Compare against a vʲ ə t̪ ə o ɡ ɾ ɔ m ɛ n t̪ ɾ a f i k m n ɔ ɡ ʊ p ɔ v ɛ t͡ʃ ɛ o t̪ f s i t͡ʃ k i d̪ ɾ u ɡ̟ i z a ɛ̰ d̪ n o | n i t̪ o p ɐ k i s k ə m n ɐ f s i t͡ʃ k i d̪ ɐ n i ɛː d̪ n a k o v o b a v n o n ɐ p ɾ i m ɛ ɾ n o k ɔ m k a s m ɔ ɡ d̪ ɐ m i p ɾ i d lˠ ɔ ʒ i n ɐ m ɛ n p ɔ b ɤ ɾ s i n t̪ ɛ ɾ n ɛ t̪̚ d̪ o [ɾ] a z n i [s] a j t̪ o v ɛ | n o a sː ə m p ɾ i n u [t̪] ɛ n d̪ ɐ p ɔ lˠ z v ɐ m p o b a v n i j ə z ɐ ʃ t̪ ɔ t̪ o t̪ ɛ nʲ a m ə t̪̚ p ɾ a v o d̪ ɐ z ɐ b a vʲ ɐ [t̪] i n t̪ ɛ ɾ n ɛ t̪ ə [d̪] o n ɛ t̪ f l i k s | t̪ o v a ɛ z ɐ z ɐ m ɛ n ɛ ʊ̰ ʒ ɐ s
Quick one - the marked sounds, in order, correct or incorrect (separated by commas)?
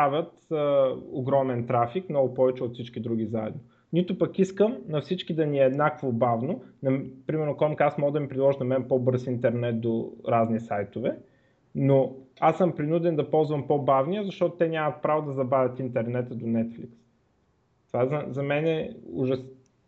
correct, correct, incorrect, correct, correct